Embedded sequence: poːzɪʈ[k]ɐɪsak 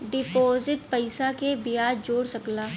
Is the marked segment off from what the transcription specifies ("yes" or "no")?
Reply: yes